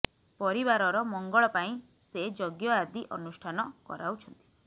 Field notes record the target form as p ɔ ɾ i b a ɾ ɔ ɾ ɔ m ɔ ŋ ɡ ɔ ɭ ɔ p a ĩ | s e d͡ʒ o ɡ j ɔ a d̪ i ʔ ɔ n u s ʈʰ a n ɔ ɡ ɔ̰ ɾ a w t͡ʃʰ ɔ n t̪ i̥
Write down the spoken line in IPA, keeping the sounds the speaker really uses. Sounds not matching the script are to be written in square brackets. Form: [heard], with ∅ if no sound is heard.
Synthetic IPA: p ɔ ɾ i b a ɾ ɔ ɾ ɔ m ɔ ŋ ɡ ɔ ɭ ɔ p a ĩ | s e d͡ʒ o ɡ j ɔ a d̪ i ʔ ɔ n u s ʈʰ a n ɔ [k] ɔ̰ ɾ a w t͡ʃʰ ɔ n t̪ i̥